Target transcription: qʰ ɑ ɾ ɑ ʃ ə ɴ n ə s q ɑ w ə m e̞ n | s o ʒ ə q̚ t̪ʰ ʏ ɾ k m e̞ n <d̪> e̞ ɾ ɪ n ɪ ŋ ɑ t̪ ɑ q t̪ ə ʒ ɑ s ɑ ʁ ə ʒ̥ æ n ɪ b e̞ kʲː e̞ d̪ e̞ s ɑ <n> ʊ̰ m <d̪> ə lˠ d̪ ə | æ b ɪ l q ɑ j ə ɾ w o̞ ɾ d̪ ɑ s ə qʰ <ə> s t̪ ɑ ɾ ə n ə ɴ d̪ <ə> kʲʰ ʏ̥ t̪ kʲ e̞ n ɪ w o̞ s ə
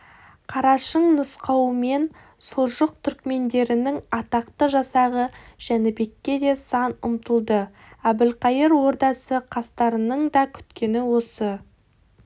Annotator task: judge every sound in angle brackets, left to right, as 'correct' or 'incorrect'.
correct, correct, incorrect: t̪, incorrect: ɑ, incorrect: ɑ

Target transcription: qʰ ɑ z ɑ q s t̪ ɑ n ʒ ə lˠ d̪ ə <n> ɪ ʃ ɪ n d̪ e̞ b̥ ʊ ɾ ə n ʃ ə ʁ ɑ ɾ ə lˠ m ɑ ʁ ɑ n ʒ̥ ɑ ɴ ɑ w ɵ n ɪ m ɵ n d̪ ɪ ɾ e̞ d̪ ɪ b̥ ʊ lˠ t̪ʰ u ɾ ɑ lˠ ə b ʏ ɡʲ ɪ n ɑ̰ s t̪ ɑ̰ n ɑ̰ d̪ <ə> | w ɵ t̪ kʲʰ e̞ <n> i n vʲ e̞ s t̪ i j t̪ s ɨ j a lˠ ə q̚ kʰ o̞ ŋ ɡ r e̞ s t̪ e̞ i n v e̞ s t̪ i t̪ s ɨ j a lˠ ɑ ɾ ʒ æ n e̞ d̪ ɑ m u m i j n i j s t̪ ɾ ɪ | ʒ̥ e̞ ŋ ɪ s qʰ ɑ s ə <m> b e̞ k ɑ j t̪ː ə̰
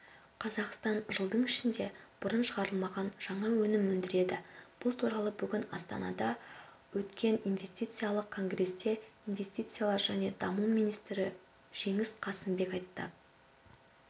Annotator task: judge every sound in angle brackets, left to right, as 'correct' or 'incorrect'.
incorrect: ɴ, incorrect: ɑ, correct, correct

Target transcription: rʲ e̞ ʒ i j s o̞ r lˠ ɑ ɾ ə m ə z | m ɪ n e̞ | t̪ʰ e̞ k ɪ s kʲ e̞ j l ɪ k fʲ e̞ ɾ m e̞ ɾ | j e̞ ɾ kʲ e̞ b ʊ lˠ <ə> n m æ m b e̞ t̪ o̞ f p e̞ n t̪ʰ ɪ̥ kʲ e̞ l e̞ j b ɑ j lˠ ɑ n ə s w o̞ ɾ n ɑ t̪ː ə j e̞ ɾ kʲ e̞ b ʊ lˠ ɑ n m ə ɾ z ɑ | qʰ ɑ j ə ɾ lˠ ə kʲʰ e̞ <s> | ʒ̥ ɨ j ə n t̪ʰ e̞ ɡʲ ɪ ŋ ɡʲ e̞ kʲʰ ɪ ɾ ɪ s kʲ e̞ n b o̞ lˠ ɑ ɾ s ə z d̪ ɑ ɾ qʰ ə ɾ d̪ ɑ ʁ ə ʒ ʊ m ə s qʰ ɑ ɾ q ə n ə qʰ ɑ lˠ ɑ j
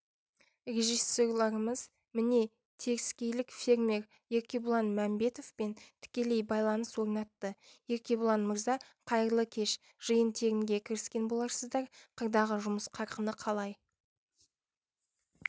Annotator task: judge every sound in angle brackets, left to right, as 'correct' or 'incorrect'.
incorrect: ɑ, incorrect: ʃ

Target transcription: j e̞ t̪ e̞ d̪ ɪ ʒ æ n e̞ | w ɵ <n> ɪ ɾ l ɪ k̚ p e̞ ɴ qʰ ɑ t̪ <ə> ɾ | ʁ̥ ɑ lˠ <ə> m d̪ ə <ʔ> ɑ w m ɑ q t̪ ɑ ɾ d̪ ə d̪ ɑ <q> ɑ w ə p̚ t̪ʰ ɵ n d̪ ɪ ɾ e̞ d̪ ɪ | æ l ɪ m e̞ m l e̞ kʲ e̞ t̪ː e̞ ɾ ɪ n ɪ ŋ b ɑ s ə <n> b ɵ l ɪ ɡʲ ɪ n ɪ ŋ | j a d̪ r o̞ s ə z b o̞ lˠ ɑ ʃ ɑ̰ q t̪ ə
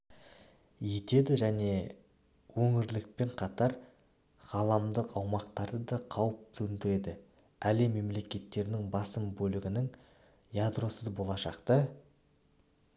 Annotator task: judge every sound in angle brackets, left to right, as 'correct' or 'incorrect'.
incorrect: ŋ, incorrect: ɑ, incorrect: ɑ, incorrect: q, incorrect: qʰ, incorrect: m

